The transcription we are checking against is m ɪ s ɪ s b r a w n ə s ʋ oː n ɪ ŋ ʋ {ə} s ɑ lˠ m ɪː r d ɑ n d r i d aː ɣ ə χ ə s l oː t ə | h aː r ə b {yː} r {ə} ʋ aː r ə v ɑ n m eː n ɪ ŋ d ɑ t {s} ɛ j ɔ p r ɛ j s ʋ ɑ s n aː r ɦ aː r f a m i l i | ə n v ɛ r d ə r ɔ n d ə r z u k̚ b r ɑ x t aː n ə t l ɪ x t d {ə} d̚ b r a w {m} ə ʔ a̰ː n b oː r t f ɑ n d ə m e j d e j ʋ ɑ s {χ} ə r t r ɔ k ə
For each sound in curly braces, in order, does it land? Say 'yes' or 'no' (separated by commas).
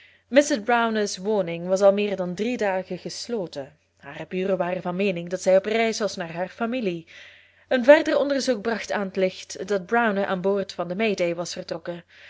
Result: no, yes, yes, yes, no, no, no